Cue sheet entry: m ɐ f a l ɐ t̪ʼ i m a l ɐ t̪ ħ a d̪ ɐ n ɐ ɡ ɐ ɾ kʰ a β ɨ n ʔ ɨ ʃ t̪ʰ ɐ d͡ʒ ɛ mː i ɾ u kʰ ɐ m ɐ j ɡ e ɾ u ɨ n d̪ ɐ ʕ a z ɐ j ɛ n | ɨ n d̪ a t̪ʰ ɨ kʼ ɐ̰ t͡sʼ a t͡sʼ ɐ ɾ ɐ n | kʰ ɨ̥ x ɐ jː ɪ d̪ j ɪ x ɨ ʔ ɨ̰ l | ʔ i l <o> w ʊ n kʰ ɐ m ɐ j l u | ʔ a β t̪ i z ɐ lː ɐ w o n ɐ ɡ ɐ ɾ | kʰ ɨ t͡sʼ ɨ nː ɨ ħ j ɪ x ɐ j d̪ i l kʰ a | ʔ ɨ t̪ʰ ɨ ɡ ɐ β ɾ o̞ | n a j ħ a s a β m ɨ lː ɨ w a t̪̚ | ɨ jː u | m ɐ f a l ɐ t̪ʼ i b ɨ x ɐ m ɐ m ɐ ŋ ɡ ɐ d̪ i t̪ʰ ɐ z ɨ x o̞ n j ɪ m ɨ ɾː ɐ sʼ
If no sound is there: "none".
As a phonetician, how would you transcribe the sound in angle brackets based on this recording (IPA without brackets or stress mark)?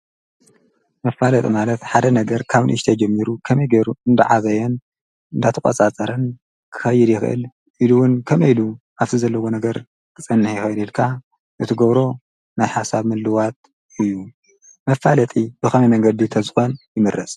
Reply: u